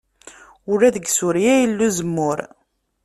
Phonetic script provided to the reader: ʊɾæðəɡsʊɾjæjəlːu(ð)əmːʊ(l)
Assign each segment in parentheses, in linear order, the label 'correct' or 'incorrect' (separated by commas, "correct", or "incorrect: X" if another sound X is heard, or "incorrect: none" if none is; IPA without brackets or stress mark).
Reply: incorrect: z, incorrect: ɾ